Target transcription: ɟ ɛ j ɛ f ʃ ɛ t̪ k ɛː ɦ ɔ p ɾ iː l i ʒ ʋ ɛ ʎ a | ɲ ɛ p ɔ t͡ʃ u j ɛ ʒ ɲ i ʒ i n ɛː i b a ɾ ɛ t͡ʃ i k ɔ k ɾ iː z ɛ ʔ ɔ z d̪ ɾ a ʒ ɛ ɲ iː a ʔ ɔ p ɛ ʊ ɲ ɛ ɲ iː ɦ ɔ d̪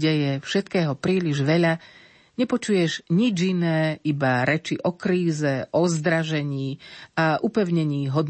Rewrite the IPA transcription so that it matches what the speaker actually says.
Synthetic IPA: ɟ ɛ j ɛ f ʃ ɛ t̪ k ɛː ɦ ɔ p ɾ iː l i ʒ ʋ ɛ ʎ a | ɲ ɛ p ɔ t͡ʃ u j ɛ ʒ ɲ i d͡ʒ i n ɛː i b a ɾ ɛ t͡ʃ i ʔ ɔ k ɾ iː z ɛ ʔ ɔ z d̪ ɾ a ʒ ɛ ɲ iː a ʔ u p ɛ ʊ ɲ ɛ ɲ iː ɦ ɔ d̪